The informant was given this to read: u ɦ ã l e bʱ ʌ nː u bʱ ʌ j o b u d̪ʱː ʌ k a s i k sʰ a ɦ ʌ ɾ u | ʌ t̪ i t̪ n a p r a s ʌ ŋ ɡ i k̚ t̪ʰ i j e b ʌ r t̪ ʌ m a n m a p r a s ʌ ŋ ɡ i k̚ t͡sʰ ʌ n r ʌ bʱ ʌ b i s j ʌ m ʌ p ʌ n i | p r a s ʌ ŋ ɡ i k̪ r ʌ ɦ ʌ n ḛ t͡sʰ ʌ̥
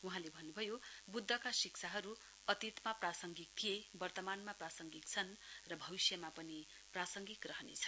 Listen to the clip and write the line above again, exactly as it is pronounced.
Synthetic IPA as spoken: u ɦ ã l e bʱ ʌ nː u bʱ ʌ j o b u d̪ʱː ʌ k a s i k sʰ a ɦ ʌ ɾ u | ʌ t̪ i t̪ m a p r a s ʌ ŋ ɡ i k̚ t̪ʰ i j e b ʌ r t̪ ʌ m a n m a p r a s ʌ ŋ ɡ i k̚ t͡sʰ ʌ n r ʌ bʱ ʌ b i s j ʌ m a p ʌ n i | p r a s ʌ ŋ ɡ i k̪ r ʌ ɦ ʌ n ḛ t͡sʰ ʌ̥